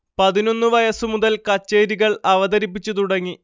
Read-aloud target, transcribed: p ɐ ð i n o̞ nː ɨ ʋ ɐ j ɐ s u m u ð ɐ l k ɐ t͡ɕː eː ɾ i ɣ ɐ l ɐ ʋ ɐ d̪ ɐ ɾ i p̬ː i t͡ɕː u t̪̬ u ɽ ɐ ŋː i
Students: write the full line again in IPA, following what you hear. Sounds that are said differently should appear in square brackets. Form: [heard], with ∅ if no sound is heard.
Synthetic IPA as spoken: p ɐ ð i n o̞ nː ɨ ʋ ɐ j ɐ s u m u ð ɐ l k ɐ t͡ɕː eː ɾ i ɣ ɐ [ɭ] ɐ ʋ ɐ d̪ ɐ ɾ i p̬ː i t͡ɕː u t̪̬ u ɽ ɐ ŋː i